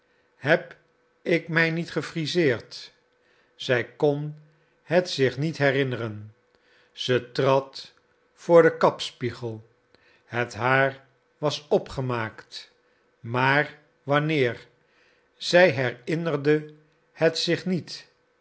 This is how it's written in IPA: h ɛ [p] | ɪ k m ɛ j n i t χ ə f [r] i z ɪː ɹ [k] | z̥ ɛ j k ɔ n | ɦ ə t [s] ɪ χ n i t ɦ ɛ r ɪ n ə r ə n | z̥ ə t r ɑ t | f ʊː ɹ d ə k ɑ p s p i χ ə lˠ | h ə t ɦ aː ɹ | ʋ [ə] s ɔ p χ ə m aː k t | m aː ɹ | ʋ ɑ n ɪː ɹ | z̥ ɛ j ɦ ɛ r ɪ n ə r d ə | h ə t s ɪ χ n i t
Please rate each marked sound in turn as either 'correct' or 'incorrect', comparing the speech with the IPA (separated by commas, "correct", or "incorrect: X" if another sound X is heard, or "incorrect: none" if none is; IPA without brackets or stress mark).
correct, correct, incorrect: t, correct, incorrect: ɑ